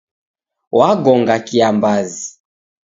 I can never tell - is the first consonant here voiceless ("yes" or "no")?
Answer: no